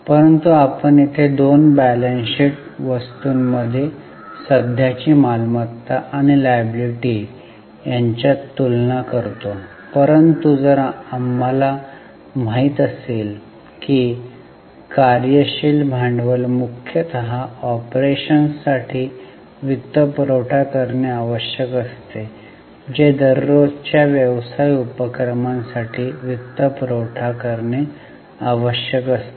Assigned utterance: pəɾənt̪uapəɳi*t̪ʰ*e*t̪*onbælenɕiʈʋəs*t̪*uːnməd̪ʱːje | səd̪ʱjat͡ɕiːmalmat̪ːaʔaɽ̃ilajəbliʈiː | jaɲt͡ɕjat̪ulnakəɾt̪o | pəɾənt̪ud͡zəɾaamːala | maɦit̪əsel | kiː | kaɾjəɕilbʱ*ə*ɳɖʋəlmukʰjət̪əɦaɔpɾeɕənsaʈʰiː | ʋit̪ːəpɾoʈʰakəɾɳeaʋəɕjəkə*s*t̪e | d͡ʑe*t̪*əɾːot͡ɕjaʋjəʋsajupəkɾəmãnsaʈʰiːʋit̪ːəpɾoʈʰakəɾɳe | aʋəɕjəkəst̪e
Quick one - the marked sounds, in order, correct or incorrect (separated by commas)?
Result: correct, incorrect, correct, incorrect, correct, incorrect